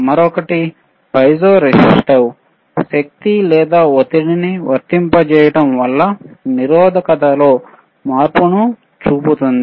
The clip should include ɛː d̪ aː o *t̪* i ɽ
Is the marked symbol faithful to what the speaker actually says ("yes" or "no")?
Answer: yes